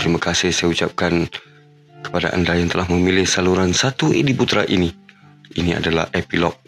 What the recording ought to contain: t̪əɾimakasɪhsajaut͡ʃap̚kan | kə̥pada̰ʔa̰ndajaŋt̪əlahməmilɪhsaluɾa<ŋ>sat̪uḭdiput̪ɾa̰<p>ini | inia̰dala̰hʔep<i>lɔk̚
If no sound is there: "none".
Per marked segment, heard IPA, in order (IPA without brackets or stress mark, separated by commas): n, ʔ, i